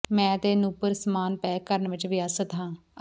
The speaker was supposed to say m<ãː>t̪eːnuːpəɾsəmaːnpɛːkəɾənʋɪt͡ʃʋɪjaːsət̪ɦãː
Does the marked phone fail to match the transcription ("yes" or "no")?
yes